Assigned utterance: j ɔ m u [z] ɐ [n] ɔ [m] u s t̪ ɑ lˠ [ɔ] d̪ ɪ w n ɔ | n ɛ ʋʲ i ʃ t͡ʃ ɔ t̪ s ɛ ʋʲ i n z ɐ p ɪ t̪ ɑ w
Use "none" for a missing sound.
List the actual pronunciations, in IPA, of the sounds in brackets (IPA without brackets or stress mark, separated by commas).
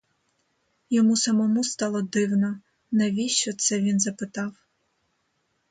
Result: s, m, m, ɔ